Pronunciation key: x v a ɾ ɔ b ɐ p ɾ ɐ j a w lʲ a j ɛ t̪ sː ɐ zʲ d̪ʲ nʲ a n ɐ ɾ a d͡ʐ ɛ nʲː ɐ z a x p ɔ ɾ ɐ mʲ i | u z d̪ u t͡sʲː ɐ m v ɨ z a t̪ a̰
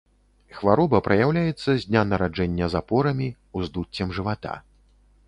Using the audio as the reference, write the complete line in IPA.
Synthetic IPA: x v a ɾ ɔ b ɐ p ɾ ɐ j a w lʲ a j ɛ t̪ sː ɐ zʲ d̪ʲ nʲ a n ɐ ɾ a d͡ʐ ɛ nʲː ɐ z a p ɔ ɾ ɐ mʲ i | u z d̪ u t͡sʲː ɐ m ʐ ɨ v a t̪ a̰